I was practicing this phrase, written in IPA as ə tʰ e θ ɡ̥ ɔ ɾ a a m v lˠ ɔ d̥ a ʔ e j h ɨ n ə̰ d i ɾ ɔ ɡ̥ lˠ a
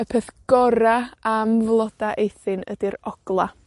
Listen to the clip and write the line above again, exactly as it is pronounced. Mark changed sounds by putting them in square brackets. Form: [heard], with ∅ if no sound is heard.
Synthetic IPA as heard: ə [pʰ] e θ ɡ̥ ɔ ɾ a a m v lˠ ɔ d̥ a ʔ e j [θ] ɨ n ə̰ d i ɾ ɔ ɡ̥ lˠ a